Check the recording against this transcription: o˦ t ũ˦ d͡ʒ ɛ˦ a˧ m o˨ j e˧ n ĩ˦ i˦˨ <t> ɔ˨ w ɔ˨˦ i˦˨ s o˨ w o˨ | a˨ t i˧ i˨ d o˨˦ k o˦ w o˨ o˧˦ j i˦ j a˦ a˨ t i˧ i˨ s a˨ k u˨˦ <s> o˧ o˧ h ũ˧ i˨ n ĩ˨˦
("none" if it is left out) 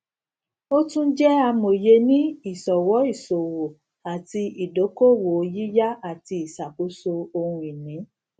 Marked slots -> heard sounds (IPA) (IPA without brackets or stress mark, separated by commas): s, s